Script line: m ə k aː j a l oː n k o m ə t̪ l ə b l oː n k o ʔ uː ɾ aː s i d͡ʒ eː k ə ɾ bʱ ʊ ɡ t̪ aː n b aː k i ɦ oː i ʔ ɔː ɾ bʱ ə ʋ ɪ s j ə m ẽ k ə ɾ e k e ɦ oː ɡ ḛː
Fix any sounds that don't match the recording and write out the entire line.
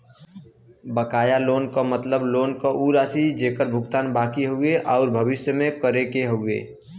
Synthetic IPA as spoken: b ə k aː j a l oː n k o m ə t̪ l ə b l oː n k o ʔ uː ɾ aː s i d͡ʒ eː k ə ɾ bʱ ʊ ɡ t̪ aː n b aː k i ɦ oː e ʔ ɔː ɾ bʱ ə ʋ ɪ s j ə m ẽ k ə ɾ e k e ɦ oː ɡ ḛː